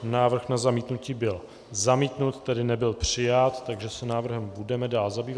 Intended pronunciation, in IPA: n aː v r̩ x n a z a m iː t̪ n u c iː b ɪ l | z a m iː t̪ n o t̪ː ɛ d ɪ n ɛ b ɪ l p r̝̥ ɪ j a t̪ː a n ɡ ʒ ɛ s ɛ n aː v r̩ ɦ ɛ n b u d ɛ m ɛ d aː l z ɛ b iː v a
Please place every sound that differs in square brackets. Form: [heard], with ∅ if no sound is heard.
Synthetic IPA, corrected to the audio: n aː v r̩ x n a z a m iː t̪ n u c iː b ɪ l | z a m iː t̪ n [u] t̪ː ɛ d ɪ n ɛ b ɪ l p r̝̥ ɪ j a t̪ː a [∅] ɡ ʒ ɛ s ɛ n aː v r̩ ɦ ɛ [m] b u d ɛ m ɛ d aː l z [a] b iː v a